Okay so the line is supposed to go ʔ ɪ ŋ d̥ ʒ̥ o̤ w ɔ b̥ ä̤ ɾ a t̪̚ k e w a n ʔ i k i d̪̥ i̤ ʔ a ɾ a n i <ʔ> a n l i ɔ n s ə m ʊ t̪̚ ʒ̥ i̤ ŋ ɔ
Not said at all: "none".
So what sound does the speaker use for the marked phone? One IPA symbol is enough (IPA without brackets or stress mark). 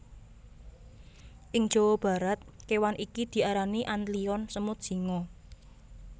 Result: ʔ